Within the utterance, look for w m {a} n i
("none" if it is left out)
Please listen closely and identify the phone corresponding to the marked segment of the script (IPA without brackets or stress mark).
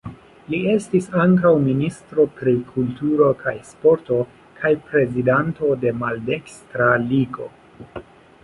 i